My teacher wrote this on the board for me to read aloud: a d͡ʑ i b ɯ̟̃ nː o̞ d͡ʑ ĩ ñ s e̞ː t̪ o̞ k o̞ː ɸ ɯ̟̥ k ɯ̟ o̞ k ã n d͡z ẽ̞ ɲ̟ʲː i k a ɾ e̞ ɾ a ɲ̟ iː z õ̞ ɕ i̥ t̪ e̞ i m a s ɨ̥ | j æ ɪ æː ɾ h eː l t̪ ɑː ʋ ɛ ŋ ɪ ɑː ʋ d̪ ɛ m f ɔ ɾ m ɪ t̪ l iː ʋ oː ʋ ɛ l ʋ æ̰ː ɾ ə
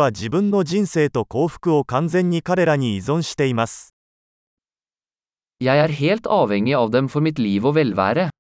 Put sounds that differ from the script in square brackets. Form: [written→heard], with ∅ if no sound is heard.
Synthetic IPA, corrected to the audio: a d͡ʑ i b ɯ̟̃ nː o̞ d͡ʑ ĩ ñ s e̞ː t̪ o̞ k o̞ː ɸ ɯ̟̥ k ɯ̟ o̞ k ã n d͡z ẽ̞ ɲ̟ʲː i k a ɾ e̞ ɾ a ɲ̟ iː z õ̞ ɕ i̥ t̪ e̞ i m a s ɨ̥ | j æ ɪ æː ɾ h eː l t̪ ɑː ʋ ɛ ŋ ɪ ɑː ʋ d̪ ɛ m f ɔ ɾ m ɪ t̪ l iː ʋ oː ʋ ɛ l ʋ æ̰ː ɾ ə